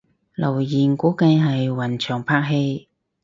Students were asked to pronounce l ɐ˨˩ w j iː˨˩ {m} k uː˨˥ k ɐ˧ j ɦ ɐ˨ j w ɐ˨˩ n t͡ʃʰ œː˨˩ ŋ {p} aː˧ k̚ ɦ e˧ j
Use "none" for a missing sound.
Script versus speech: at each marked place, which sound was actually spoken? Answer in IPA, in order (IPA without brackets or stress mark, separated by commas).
n, pʰ